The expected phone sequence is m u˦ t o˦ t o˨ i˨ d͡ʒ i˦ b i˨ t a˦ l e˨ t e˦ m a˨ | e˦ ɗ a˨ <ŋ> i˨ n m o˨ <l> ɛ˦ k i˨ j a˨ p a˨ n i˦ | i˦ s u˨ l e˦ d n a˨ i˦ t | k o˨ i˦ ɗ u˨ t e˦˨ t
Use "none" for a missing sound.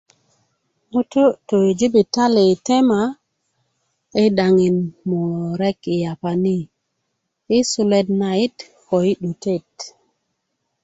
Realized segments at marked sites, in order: ŋ, ɾ

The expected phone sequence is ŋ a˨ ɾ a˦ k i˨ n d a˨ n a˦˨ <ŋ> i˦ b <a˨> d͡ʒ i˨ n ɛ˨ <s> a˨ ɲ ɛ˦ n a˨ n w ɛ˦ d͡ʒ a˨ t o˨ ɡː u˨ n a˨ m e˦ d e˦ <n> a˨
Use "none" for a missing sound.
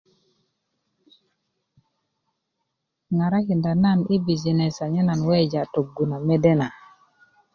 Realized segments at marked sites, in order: n, i˨, s, n

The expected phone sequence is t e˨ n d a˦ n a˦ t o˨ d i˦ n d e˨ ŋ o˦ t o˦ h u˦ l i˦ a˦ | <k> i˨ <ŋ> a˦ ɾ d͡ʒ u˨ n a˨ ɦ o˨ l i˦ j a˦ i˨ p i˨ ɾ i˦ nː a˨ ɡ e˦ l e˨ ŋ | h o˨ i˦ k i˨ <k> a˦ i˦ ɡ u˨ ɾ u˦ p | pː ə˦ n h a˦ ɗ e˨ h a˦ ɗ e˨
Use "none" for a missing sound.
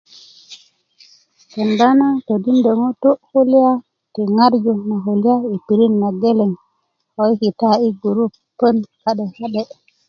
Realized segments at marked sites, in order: t, ŋ, t

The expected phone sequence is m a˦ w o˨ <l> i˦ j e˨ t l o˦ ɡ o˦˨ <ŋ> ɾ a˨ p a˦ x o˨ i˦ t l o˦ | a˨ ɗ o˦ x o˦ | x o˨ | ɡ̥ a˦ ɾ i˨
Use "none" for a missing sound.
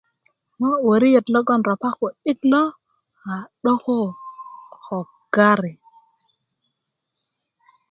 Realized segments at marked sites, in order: ɾ, n

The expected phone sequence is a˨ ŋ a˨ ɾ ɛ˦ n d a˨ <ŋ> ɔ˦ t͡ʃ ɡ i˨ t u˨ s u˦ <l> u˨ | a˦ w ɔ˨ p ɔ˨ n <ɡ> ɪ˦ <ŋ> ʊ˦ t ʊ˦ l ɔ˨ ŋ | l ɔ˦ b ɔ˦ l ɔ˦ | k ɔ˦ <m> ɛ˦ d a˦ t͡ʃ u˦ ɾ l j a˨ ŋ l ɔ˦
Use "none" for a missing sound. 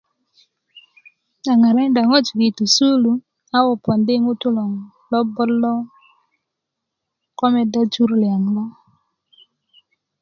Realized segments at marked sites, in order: ŋ, l, d, ŋ, m

